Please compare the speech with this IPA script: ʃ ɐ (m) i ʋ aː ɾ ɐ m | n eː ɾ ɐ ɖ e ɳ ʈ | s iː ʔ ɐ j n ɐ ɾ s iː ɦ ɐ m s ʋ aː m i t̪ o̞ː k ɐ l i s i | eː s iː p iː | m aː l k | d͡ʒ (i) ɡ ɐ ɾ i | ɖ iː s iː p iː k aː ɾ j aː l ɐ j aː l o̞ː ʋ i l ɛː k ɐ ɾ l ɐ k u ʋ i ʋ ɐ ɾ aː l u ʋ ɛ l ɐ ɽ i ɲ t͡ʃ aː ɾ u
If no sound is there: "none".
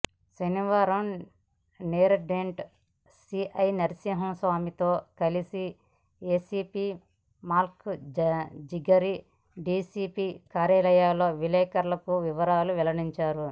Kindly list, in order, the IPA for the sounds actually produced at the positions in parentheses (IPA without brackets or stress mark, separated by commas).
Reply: n, i